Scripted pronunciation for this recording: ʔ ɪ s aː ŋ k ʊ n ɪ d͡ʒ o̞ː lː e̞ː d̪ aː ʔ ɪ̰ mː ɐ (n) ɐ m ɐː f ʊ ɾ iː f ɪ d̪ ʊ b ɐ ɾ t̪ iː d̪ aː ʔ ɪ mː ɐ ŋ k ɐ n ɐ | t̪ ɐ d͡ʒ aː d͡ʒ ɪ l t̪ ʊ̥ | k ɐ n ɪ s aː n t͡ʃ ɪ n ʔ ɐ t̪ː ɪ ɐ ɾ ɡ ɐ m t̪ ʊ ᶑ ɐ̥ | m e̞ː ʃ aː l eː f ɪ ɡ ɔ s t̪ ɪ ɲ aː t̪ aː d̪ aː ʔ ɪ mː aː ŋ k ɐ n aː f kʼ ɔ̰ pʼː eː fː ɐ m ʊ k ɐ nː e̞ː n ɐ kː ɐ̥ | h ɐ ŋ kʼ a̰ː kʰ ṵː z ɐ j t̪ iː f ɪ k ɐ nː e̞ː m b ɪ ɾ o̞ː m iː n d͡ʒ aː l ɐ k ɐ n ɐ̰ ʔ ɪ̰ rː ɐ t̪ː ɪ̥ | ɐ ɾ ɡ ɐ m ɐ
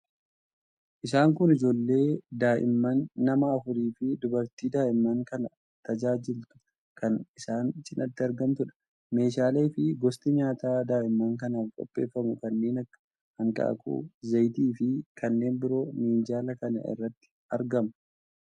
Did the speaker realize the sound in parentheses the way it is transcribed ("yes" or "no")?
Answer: no